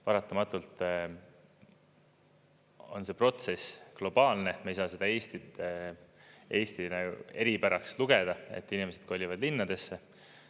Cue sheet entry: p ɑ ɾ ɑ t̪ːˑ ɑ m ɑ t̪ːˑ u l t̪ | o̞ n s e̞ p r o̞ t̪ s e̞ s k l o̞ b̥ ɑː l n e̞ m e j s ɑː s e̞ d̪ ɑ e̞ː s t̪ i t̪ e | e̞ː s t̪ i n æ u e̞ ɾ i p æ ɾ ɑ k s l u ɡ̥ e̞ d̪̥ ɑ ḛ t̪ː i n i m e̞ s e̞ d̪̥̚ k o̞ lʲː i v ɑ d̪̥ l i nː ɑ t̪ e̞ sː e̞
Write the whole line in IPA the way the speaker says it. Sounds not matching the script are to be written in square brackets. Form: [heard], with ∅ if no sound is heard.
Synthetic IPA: p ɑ ɾ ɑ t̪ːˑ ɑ m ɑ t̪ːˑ u l t̪ | o̞ n s e̞ p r o̞ t̪ s e̞ s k l o̞ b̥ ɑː l n e̞ m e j s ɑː s e̞ d̪ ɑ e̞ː s t̪ i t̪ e | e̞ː s t̪ i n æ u e̞ ɾ i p æ ɾ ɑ k s l u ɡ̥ e̞ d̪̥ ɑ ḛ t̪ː i n i m e̞ s e̞ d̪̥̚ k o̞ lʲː i v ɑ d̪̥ l i nː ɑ [d̪] e̞ sː e̞

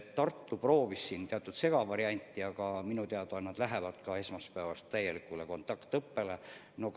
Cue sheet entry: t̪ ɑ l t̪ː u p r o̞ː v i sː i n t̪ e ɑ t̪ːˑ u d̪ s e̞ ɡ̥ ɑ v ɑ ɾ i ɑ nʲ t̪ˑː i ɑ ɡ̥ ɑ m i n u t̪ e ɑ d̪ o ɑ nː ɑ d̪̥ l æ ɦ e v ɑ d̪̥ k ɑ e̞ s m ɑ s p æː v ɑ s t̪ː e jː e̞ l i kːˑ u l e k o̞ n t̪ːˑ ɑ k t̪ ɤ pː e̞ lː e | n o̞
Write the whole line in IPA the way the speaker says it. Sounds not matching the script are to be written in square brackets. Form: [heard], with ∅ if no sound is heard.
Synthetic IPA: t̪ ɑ [r] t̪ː u p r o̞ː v i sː i n t̪ e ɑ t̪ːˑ u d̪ s e̞ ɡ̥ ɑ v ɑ ɾ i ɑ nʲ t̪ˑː i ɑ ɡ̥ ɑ m i n u t̪ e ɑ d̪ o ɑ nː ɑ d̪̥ l æ ɦ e v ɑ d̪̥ k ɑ e̞ s m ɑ s p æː v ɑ s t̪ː [æ] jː e̞ l i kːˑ u l e k o̞ n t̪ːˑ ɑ k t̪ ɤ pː e̞ [l] e | n o̞

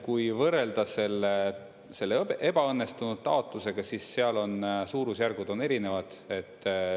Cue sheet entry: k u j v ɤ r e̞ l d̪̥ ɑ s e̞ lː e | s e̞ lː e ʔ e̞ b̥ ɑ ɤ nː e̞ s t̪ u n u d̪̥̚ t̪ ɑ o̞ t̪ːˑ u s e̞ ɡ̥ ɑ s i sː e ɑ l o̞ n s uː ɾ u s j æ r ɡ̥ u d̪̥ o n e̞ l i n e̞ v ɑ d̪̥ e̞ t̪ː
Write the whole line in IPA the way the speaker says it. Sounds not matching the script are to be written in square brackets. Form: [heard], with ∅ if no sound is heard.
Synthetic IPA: k u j v ɤ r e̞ l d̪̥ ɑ s e̞ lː e | s e̞ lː e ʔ e̞ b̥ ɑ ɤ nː e̞ s t̪ u n u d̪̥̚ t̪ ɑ o̞ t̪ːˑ u s e̞ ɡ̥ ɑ s i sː e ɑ l o̞ n s uː ɾ u s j æ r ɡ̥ u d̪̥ o n e̞ [ɾ] i n e̞ v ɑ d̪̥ e̞ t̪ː

